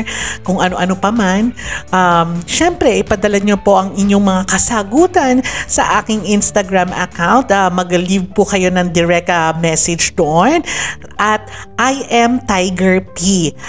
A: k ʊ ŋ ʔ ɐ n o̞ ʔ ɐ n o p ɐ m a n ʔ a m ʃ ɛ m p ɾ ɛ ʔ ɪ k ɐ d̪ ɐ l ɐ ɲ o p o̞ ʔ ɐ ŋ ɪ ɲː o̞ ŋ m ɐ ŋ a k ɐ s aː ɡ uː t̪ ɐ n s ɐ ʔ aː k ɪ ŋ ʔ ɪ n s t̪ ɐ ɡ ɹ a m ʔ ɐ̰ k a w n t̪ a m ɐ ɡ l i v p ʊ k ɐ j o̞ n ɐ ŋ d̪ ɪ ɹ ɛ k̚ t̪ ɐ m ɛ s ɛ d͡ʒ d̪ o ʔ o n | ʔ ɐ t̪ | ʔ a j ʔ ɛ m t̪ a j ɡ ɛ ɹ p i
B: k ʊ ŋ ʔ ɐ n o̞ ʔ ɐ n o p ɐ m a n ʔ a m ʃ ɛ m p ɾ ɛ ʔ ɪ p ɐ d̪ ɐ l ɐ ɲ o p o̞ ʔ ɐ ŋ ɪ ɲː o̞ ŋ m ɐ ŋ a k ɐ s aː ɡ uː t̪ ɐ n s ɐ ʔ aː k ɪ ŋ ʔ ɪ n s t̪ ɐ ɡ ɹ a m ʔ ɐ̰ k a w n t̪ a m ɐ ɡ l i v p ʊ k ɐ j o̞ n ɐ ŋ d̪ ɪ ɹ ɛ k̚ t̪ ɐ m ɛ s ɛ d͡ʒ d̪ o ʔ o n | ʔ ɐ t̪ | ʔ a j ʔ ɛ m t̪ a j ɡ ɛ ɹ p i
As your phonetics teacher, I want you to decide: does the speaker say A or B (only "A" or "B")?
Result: B